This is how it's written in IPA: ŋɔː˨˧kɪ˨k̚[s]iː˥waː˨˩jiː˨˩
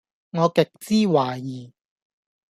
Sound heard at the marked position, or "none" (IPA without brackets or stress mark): t͡s